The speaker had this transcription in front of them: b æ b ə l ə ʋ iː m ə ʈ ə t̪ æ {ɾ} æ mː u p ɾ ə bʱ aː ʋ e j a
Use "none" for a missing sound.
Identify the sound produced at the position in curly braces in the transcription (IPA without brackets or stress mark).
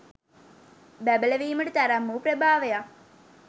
ɾ